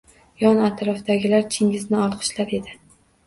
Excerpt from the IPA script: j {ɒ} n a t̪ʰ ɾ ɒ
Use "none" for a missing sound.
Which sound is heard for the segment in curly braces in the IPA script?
ɒ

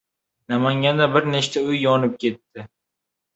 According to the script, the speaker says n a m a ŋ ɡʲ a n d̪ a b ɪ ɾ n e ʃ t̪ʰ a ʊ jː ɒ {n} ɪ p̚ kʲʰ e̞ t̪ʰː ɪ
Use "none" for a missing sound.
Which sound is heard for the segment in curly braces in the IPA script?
n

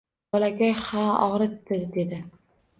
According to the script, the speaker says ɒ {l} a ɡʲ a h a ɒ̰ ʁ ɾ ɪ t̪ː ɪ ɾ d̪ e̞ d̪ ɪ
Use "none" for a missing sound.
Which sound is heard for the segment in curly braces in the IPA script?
l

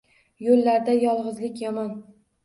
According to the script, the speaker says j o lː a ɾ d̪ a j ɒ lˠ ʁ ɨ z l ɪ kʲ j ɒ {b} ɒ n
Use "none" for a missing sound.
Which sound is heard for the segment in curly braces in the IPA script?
m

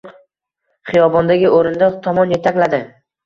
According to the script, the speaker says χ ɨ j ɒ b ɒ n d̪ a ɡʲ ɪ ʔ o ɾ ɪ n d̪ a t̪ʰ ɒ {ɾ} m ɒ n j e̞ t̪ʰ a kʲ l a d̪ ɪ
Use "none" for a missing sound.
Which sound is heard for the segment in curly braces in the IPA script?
none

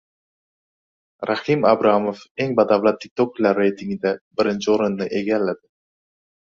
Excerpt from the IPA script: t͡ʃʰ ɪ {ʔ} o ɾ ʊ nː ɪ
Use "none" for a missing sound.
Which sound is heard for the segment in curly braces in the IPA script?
none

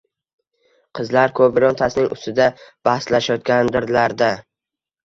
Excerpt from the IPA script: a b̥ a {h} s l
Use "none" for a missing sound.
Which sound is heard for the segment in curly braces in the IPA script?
h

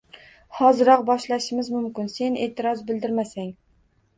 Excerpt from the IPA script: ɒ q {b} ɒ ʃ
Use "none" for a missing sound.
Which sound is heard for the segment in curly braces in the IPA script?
b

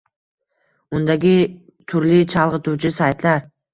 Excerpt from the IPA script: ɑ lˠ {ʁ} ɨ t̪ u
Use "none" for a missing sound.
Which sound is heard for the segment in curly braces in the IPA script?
ʁ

